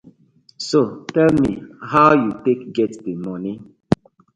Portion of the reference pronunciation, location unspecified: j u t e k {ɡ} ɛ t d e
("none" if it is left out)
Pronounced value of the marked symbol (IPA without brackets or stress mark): ɡ